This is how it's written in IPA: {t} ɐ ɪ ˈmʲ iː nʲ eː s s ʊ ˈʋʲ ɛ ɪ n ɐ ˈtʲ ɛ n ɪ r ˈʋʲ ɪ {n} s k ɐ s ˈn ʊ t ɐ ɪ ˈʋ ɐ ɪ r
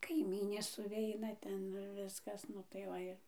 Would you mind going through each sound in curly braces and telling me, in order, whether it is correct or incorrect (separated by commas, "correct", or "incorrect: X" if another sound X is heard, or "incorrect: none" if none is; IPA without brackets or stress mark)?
incorrect: k, incorrect: none